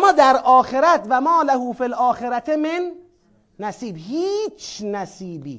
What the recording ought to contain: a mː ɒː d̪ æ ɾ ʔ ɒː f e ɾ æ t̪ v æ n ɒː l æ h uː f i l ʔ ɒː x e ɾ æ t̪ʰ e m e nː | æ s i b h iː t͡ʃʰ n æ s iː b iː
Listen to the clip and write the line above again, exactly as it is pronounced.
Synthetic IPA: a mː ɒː d̪ æ ɾ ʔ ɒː x e ɾ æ t̪ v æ m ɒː l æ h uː f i l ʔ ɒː x e ɾ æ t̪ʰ e m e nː | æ s iː b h iː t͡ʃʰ n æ s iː b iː